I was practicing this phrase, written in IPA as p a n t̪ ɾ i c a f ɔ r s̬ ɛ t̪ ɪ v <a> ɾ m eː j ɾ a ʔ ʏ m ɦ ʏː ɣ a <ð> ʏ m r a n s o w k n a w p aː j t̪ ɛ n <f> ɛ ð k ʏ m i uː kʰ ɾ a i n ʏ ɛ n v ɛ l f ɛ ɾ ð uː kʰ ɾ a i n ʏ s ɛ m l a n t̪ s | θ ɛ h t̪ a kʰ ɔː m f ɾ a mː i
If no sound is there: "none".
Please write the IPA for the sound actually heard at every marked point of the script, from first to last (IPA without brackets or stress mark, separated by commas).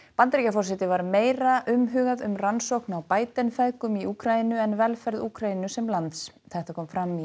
a, ð, f